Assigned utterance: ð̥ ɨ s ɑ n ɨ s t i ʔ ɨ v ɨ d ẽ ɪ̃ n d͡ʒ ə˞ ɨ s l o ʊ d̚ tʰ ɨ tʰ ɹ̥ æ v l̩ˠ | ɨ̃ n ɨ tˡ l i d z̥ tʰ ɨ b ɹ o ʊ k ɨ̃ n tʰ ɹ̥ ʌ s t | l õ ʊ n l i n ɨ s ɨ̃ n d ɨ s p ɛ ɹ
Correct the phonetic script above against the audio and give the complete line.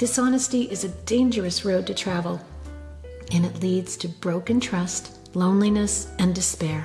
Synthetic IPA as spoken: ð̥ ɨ s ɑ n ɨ s t i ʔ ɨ z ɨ d ẽ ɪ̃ n d͡ʒ ə˞ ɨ s ɹ o ʊ d̚ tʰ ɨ tʰ ɹ̥ æ v l̩ˠ | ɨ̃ n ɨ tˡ l i d z̥ tʰ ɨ b ɹ o ʊ k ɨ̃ n tʰ ɹ̥ ʌ s t | l õ ʊ̃ n l i n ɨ s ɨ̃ n d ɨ s p ɛ ɹ